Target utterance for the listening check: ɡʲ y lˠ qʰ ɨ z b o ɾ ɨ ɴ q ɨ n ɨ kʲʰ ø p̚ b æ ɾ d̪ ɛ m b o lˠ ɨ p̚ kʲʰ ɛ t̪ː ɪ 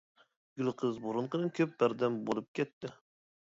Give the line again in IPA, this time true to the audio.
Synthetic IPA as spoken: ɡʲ y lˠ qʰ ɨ z b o ɾ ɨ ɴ q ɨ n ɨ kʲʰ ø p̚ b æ ɾ d̪ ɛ m b o lˠ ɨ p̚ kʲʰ ɛ t̪ː ɪ